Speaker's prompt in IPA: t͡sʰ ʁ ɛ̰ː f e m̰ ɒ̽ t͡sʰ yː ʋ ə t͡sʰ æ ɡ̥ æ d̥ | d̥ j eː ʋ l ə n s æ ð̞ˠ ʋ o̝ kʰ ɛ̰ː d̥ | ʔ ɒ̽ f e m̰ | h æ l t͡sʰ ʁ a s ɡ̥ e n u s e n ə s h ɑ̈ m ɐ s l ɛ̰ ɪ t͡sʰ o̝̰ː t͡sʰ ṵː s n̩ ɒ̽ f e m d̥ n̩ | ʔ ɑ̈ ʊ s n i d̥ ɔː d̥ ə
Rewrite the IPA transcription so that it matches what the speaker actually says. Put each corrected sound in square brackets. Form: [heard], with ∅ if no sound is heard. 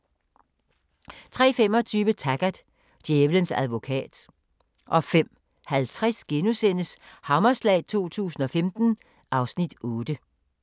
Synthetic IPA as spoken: t͡sʰ ʁ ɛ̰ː f e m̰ ɒ̽ t͡sʰ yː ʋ ə t͡sʰ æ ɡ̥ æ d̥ | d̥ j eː ʋ l ə n s æ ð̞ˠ ʋ o̝ kʰ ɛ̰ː d̥ | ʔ ɒ̽ f e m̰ | h æ l t͡sʰ ʁ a s ɡ̥ e n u s e n ə s h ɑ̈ m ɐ s l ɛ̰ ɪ t͡sʰ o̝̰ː t͡sʰ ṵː s n̩ ɒ̽ f e m d̥ n̩ | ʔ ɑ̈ ʊ s n i d̥ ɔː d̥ ə